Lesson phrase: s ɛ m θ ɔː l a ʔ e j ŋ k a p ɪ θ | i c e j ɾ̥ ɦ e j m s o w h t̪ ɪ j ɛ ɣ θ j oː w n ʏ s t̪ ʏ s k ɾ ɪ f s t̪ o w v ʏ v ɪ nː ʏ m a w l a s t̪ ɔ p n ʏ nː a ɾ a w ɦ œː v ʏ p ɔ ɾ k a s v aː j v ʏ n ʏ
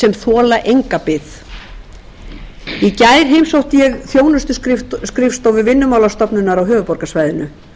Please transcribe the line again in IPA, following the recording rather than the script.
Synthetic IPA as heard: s ɛ m θ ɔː l a ʔ e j ŋ k a p ɪ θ | i c a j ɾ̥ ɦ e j m s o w h t̪ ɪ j ɛ ɣ θ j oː w n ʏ s t̪ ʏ s k ɾ ɪ f s t̪ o w v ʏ v ɪ nː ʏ m a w l a s t̪ ɔ p n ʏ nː a ɾ a w ɦ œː v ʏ p ɔ ɾ k a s v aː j ð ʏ n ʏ